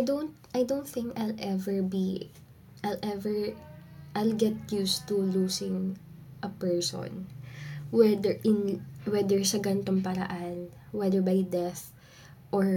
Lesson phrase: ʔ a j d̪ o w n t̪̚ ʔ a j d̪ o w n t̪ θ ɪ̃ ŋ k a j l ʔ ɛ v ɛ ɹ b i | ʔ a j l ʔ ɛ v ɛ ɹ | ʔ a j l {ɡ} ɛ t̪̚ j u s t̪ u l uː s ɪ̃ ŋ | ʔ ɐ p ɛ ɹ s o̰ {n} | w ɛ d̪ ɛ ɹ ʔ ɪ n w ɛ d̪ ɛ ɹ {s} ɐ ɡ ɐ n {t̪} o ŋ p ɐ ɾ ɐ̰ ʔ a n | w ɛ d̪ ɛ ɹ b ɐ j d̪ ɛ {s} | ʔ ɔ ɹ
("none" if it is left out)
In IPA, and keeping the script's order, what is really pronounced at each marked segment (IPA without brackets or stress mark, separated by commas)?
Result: ɡ, n, s, t̪, θ